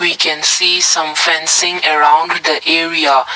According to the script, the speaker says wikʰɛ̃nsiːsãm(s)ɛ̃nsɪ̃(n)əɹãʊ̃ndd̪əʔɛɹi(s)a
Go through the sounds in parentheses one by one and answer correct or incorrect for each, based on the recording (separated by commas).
incorrect, incorrect, incorrect